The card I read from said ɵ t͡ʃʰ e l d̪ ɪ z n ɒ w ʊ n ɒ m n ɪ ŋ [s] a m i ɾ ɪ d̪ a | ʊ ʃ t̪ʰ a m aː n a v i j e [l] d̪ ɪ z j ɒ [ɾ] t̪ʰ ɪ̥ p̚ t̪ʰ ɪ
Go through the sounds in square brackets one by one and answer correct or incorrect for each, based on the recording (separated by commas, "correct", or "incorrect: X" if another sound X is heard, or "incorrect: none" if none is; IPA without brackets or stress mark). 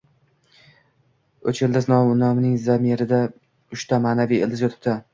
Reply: incorrect: z, correct, incorrect: none